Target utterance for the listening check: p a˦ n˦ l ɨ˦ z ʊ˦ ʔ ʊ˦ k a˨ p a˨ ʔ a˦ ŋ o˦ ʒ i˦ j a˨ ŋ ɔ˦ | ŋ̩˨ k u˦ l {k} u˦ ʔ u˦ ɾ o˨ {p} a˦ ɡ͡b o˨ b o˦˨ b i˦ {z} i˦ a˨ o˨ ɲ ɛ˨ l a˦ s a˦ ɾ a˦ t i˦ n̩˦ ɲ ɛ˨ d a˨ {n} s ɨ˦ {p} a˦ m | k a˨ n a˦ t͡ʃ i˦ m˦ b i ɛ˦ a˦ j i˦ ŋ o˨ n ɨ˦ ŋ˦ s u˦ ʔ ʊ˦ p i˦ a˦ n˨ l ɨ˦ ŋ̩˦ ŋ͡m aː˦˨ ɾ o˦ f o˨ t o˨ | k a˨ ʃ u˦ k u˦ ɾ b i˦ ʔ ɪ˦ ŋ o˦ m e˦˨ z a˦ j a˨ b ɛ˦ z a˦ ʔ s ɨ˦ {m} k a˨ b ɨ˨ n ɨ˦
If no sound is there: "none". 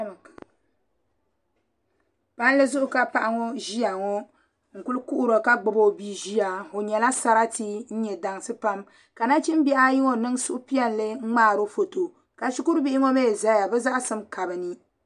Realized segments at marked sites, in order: k, k, ʒ, ŋ, p, m

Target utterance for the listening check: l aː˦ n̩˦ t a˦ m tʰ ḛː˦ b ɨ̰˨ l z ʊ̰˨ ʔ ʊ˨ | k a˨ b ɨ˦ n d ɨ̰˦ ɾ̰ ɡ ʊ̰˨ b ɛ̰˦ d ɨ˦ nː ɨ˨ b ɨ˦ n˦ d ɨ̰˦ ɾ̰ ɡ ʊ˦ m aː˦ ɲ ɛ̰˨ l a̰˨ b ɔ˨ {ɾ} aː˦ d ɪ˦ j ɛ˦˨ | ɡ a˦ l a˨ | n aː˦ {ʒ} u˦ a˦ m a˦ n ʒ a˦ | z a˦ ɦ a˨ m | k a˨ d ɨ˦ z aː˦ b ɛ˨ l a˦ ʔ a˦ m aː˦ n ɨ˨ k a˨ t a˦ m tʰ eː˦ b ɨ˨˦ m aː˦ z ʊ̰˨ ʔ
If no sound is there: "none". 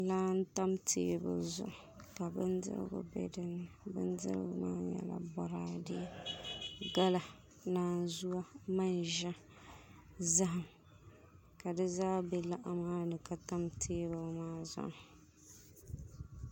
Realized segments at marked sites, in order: ɾ, z

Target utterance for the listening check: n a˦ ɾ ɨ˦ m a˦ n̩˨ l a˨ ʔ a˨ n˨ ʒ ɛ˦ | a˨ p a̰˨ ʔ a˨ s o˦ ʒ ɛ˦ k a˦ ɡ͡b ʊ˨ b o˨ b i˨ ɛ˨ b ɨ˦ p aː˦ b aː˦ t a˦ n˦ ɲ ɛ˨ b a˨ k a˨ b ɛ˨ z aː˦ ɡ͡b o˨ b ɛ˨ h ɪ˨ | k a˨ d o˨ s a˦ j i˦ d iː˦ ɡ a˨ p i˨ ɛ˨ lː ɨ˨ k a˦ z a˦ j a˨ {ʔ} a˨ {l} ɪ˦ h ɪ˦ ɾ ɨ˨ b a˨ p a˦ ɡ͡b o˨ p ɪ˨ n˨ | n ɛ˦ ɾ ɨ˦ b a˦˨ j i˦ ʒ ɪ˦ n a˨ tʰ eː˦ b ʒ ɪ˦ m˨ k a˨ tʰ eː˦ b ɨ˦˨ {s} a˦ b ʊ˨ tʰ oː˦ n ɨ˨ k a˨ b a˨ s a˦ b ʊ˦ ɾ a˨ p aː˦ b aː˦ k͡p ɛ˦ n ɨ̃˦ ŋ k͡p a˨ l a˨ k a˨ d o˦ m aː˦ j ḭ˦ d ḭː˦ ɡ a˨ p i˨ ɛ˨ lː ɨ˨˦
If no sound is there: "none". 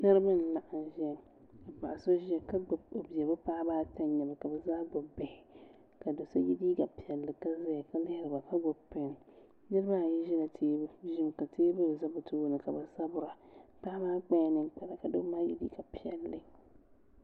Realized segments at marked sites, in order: k, l, z

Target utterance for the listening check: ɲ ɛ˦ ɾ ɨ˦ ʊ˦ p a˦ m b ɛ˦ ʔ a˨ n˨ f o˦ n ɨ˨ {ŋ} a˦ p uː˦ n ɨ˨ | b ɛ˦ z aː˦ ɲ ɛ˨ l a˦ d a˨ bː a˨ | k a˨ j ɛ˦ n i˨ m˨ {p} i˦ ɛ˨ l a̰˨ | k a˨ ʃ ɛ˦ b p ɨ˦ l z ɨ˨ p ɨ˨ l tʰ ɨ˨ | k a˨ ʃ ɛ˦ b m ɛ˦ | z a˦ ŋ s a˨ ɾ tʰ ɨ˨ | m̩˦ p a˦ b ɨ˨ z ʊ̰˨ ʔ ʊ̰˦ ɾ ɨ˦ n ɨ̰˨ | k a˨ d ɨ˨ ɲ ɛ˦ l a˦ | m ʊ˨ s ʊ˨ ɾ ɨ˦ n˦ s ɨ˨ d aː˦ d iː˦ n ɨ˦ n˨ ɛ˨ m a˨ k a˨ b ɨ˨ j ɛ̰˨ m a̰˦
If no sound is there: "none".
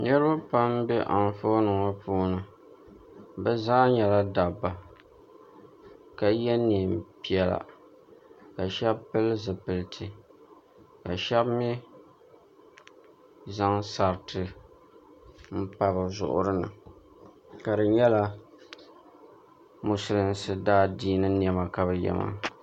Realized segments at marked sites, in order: ŋ, p

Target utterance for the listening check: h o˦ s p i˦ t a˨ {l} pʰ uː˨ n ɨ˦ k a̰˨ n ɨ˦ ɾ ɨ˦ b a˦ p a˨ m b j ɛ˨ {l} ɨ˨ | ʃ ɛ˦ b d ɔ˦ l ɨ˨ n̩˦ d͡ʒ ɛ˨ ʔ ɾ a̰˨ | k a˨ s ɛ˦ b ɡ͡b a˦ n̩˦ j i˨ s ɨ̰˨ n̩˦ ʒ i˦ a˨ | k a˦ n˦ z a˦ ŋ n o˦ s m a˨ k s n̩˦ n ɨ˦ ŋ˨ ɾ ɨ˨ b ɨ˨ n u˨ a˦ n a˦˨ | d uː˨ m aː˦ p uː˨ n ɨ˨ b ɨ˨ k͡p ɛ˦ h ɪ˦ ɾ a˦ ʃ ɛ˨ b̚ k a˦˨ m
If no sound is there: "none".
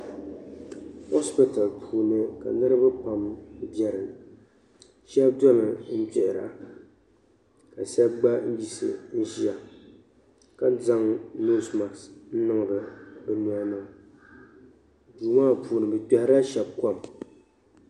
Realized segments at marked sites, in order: l, ɾ

